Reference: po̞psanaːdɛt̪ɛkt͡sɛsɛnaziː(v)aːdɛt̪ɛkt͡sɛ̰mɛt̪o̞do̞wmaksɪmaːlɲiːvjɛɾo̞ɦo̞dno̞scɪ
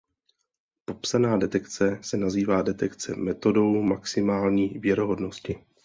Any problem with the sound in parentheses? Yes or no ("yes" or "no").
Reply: no